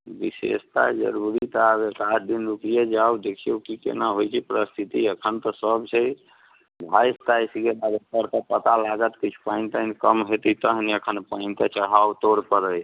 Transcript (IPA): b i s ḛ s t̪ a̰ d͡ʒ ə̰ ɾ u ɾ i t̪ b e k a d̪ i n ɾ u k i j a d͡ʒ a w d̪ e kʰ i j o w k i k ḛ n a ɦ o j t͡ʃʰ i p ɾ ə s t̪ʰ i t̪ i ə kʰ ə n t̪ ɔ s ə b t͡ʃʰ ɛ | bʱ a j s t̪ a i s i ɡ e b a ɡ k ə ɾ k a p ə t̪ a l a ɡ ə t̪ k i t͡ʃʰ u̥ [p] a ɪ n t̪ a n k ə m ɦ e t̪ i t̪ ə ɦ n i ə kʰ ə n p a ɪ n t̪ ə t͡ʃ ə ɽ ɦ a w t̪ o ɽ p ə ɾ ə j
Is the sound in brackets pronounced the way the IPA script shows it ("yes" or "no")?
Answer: yes